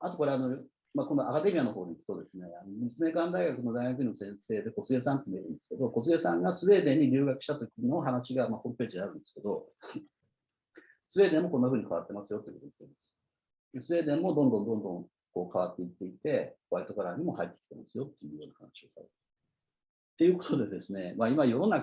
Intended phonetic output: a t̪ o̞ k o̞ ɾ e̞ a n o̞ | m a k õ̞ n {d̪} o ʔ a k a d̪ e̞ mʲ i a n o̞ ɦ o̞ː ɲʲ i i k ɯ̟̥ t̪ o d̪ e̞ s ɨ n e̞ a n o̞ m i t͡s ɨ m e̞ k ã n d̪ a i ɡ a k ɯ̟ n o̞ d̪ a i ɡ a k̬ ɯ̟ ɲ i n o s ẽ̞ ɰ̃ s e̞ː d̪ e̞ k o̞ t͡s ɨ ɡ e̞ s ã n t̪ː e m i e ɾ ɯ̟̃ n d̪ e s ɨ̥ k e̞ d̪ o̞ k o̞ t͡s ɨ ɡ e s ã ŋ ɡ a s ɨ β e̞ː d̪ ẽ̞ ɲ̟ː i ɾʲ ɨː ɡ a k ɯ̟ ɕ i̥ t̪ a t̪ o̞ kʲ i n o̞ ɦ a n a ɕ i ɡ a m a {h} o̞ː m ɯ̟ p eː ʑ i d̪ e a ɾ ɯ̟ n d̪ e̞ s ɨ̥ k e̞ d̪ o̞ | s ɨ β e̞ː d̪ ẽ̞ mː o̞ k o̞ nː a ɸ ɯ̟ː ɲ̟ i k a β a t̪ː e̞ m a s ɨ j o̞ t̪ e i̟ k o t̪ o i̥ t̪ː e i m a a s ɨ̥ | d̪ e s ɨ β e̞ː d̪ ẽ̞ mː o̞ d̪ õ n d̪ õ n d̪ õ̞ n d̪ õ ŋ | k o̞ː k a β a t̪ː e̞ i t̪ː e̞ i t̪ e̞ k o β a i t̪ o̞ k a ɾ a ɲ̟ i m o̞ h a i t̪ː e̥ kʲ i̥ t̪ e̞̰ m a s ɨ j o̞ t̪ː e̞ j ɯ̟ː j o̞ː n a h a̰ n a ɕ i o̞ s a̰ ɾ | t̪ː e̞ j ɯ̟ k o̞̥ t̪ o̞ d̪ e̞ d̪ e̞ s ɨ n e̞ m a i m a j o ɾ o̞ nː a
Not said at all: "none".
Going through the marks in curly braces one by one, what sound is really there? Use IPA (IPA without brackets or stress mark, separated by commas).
d̪, h